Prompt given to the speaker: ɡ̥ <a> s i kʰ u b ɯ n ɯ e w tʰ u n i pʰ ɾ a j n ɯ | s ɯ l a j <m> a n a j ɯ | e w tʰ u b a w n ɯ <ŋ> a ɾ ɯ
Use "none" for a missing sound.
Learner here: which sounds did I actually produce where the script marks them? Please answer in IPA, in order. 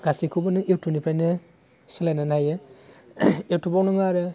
a, n, ŋ

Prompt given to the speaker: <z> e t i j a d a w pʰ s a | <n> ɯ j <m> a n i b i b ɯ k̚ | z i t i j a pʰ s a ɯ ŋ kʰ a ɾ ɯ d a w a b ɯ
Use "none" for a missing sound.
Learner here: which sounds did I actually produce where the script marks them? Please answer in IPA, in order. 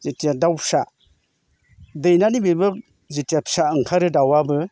z, d, n

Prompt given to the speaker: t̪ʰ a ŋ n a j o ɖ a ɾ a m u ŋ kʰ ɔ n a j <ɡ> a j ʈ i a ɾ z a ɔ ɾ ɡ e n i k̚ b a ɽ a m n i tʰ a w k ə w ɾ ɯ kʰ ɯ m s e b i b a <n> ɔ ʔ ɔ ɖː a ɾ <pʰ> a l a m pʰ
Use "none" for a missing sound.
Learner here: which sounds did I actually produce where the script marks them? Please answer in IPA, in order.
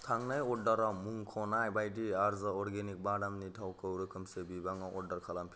b, ŋ, kʰ

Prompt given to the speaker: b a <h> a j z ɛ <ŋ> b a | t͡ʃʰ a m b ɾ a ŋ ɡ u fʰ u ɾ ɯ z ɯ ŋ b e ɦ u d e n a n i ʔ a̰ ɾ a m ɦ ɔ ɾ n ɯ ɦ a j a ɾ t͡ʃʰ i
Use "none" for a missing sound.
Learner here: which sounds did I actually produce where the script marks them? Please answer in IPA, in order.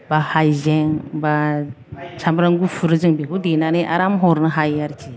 h, ŋ

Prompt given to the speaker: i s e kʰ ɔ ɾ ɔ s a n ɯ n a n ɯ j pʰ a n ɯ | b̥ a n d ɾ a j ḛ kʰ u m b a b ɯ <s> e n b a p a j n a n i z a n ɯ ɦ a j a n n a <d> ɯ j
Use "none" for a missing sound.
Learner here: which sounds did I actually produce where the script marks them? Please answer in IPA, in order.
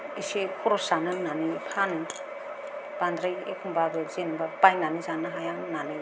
z, n

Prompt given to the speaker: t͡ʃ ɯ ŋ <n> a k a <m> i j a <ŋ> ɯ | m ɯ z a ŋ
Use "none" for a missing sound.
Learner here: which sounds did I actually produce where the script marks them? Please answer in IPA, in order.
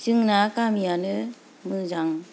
n, m, n

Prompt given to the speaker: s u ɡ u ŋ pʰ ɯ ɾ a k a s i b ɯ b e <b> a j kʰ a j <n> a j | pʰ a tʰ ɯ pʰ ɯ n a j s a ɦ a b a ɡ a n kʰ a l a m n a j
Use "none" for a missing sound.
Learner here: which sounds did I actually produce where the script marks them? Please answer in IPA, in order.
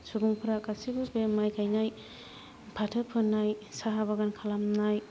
m, n

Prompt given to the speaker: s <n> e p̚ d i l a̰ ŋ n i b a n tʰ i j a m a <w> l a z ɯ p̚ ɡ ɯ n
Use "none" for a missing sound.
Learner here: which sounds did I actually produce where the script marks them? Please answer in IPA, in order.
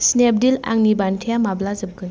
n, b

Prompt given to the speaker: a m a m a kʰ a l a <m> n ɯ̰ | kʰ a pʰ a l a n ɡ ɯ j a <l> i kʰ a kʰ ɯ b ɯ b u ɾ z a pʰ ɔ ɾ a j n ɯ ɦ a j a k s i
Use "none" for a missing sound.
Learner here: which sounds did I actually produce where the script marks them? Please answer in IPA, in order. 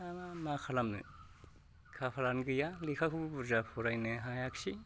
m, l

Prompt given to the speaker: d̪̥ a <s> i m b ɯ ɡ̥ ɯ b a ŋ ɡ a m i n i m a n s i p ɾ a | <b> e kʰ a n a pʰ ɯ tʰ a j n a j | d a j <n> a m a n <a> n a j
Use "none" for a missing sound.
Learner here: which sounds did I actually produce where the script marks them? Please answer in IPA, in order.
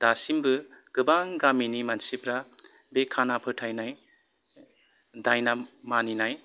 s, b, n, i

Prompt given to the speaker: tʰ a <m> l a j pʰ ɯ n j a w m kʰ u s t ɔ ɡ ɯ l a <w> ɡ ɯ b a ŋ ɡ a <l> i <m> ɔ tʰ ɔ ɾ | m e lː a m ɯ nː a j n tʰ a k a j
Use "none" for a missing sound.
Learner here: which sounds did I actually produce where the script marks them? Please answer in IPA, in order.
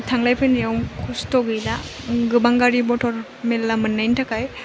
ŋ, none, ɾ, b

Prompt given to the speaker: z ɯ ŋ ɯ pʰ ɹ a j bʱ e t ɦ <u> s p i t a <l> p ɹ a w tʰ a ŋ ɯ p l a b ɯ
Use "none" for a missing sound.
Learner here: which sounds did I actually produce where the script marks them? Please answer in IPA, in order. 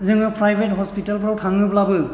ɔ, l

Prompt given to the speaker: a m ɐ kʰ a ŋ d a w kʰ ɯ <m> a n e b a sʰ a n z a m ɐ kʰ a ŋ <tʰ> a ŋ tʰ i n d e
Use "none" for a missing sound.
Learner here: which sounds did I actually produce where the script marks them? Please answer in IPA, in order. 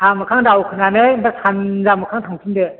n, tʰ

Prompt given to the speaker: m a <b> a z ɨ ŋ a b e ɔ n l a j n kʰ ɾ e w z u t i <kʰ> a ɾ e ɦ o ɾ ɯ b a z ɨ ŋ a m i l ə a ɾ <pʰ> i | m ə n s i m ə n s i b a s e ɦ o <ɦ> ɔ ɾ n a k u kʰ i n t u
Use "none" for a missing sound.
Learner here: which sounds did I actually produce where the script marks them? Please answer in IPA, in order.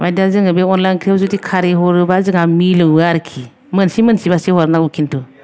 d, kʰ, kʰ, none

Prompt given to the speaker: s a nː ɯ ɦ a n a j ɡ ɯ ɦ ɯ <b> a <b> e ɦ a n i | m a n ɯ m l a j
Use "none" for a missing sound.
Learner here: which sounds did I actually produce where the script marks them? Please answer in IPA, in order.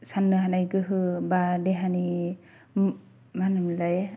b, d

